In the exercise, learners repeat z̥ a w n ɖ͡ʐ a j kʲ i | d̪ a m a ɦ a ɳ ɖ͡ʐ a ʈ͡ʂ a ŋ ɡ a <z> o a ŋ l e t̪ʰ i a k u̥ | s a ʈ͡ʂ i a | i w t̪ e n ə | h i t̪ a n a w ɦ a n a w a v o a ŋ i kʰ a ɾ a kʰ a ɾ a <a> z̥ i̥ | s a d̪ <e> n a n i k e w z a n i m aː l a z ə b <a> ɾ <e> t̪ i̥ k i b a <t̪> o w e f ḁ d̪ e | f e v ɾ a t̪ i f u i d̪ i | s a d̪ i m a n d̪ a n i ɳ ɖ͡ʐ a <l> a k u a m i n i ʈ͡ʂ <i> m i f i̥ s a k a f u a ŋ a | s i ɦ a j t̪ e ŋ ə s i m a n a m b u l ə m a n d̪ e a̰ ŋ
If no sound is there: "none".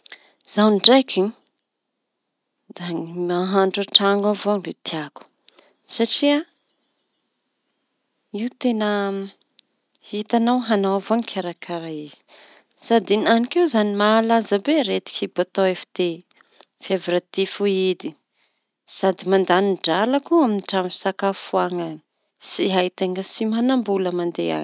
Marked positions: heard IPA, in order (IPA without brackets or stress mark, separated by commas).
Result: v, i, i, e, e, t̪, l, a